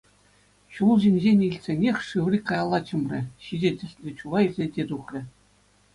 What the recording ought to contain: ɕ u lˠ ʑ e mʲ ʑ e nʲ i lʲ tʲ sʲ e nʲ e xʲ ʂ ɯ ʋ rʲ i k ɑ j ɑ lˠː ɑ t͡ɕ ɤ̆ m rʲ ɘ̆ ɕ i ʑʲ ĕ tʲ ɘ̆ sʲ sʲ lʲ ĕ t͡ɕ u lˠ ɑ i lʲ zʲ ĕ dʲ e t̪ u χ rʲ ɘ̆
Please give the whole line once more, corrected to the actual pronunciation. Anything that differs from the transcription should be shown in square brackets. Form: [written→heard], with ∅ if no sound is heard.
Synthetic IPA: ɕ u lˠ ʑ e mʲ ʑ e nʲ i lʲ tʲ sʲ e nʲ e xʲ ʂ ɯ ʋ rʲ i k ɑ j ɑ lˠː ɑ t͡ɕ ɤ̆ m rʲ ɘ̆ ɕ i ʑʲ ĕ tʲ ɘ̆ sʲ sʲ lʲ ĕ t͡ɕ u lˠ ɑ i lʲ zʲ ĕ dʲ e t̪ u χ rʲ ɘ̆